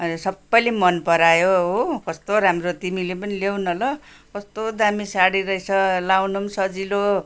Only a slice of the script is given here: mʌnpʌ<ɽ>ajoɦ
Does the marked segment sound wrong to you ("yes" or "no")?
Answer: yes